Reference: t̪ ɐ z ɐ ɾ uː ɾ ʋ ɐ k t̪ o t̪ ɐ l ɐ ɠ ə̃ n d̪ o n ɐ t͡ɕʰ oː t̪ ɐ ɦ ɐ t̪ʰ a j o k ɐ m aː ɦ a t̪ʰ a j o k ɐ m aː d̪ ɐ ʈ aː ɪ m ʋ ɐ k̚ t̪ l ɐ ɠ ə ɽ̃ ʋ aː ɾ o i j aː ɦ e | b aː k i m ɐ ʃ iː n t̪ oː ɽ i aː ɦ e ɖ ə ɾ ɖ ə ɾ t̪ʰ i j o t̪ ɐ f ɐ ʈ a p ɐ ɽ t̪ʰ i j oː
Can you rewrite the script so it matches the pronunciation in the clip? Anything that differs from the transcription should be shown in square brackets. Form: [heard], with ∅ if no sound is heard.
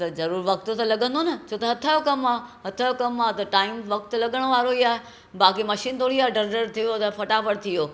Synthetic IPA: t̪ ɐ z ɐ ɾ uː ɾ ʋ ɐ k t̪ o t̪ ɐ l ɐ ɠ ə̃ n d̪ o n ɐ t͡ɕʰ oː t̪ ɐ ɦ ɐ t̪ʰ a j o k ɐ m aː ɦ [ɐ] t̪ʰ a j o k ɐ m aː [t̪] ɐ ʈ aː ɪ m ʋ ɐ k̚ t̪ l ɐ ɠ ə ɽ̃ ʋ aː ɾ o i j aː ɦ e | b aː k i m ɐ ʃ iː n t̪ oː ɽ i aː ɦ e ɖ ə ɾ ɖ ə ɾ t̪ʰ i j o t̪ ɐ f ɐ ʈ a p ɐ ɽ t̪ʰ i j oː